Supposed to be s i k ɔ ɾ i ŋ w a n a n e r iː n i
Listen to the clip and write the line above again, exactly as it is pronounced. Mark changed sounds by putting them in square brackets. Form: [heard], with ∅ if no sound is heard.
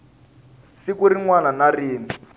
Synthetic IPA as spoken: s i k [u] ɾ i ŋ w a n a n [a] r iː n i

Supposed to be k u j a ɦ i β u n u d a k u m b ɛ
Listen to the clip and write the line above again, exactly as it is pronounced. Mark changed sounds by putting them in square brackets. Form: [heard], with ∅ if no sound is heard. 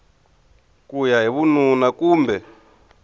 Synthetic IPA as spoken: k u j a ɦ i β u n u [n] a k [uː] m b ɛ

